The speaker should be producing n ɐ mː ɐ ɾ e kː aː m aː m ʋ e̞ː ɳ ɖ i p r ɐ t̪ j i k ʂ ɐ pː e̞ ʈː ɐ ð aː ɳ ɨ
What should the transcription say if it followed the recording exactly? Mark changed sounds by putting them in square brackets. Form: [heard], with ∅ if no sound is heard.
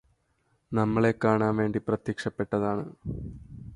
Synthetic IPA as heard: n ɐ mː ɐ [ɭ] e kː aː [ɳ] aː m ʋ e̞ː ɳ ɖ i p r ɐ t̪ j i k ʂ ɐ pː e̞ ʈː ɐ ð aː ɳ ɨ